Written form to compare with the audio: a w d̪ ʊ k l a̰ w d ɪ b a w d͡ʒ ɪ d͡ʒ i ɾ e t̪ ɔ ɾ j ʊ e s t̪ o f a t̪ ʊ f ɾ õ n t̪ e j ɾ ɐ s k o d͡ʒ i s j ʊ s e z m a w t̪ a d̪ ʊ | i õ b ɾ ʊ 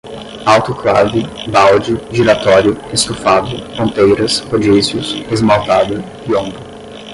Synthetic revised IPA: a w t̪ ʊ k l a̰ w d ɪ b a w d͡ʒ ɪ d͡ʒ i ɾ a t̪ ɔ ɾ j ʊ e s t̪ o f a d̪ ʊ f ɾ õ n t̪ e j ɾ ɐ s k o d͡ʒ i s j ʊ s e z m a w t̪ a d̪ ʊ | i õ b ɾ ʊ